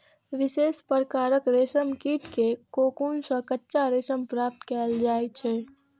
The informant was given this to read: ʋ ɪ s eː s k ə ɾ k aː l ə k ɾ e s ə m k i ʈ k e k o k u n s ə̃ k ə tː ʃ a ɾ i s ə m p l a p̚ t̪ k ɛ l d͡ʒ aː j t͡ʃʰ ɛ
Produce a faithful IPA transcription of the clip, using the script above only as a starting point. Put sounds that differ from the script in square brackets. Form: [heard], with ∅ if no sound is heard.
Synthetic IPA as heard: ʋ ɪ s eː s [p] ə ɾ k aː [ɾ] ə k ɾ e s ə m k i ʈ k e k o k u n s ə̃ k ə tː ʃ a ɾ [e] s ə m p [ɾ] a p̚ t̪ k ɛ l d͡ʒ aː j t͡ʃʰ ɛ

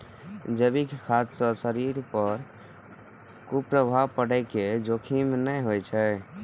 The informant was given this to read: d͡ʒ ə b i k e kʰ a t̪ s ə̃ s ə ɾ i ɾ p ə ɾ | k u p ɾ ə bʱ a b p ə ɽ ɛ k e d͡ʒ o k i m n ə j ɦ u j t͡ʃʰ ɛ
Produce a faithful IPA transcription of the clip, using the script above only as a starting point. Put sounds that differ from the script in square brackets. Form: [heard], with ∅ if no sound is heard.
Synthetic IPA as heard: d͡ʒ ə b i k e kʰ a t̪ s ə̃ s ə ɾ i ɾ p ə ɾ | k u p ɾ ə bʱ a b p ə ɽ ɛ k e d͡ʒ o [kʰ] i m n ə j ɦ [o] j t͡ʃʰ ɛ

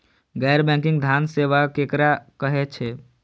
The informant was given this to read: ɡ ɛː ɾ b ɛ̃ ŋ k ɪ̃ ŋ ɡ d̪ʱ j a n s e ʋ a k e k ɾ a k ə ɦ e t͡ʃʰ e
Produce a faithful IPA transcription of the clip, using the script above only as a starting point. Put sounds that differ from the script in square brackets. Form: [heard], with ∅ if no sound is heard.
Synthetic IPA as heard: ɡ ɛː ɾ b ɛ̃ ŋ k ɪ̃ ŋ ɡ d̪ʱ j a n s e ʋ a k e k ɾ a k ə ɦ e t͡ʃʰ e

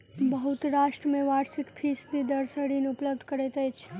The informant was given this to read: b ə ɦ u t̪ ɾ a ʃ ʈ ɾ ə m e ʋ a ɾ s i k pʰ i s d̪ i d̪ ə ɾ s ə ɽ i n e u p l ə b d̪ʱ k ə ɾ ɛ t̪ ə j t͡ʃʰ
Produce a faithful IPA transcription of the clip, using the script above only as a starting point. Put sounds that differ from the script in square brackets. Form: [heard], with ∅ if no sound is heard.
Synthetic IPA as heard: b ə ɦ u t̪ ɾ a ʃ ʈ ɾ ə m e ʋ a ɾ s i k pʰ i s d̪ i d̪ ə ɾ s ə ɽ i n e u p l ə b d̪ʱ k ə ɾ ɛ t̪ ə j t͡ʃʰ

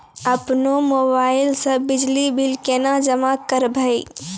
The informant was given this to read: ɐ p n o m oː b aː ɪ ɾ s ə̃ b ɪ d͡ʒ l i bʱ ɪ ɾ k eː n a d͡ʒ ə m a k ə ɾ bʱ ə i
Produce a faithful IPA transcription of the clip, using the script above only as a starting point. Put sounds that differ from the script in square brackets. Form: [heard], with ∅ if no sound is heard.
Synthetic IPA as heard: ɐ p n o m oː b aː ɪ [l] s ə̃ b ɪ d͡ʒ l i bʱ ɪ [l] k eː n a d͡ʒ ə m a k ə ɾ bʱ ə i

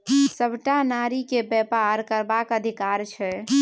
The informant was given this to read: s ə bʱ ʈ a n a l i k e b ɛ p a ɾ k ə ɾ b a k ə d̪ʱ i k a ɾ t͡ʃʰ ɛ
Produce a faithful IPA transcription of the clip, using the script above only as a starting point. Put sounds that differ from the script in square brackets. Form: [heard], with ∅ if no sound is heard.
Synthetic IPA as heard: s ə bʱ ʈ a n a [ɾ] i k e b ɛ p a ɾ k ə ɾ b a k ə d̪ʱ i k a ɾ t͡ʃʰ ɛ

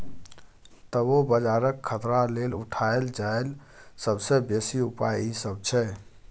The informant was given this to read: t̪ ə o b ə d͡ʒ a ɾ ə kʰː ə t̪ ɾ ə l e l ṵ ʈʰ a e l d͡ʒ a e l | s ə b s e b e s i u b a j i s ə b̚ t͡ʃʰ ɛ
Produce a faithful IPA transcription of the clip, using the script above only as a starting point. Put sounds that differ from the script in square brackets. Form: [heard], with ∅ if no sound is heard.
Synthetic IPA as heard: t̪ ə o b ə d͡ʒ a ɾ ə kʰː ə t̪ ɾ [a] l e l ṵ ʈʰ a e l d͡ʒ a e l | s ə b s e b e s i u [p] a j i s ə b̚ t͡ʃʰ ɛ

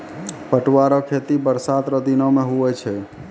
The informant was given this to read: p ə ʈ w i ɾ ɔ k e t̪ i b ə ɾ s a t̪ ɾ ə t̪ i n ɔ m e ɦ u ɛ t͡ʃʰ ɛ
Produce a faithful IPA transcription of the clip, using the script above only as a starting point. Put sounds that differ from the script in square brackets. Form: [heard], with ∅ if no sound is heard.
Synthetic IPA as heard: p ə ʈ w [a] ɾ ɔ [kʰ] e t̪ i b ə ɾ s a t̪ ɾ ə [d̪] i n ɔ m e ɦ u ɛ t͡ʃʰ ɛ

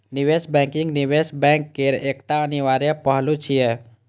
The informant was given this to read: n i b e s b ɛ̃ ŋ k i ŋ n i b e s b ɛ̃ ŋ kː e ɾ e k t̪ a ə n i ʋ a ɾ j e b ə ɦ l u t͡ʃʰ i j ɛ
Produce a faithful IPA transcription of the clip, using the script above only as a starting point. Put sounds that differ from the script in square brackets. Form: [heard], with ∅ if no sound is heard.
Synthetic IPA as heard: n i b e s b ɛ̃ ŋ k i ŋ n i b e s b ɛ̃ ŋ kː e ɾ e k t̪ a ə n i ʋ a ɾ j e [p] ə ɦ l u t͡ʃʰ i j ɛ

